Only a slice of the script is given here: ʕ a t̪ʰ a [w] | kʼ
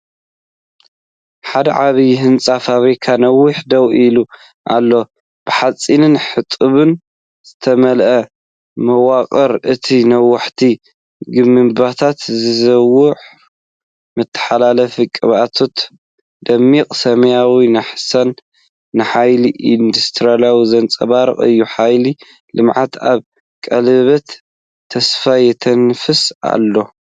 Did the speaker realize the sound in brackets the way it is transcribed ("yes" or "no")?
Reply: no